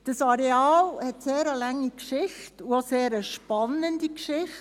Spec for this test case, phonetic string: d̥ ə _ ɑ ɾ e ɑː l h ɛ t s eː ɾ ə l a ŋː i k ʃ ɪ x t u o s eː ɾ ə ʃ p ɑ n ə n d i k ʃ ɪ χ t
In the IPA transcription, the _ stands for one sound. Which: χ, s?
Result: s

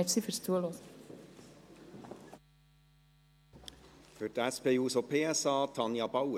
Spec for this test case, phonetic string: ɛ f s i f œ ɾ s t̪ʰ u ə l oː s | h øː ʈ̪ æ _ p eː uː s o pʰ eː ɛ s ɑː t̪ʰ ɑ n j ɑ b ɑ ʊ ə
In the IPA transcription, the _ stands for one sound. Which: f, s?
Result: s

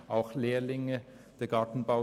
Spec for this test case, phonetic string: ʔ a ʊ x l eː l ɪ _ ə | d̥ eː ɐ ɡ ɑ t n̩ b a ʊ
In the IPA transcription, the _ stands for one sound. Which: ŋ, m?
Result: ŋ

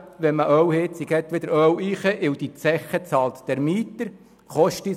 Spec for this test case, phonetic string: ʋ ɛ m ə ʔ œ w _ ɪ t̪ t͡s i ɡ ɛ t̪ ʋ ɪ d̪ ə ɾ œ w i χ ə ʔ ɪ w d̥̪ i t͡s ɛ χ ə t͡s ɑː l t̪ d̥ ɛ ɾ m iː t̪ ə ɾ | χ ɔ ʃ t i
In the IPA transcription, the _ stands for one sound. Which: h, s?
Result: h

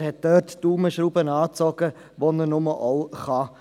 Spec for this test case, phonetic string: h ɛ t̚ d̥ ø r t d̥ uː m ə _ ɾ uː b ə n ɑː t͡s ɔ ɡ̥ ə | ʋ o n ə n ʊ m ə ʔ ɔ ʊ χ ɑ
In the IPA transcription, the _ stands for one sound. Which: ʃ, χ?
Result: ʃ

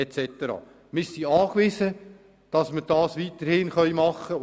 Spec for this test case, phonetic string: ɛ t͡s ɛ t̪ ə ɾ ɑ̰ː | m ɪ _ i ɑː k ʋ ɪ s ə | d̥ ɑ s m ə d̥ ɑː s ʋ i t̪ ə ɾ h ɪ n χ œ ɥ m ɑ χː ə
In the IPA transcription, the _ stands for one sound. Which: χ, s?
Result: s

